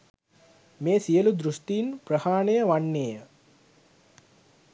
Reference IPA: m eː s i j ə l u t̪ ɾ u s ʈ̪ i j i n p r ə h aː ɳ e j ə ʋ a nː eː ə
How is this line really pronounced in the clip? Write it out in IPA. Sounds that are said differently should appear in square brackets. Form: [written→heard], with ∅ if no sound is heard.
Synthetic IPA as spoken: m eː s i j ə l u [t̪→d̪] ɾ u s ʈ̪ i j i n p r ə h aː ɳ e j ə ʋ a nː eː ə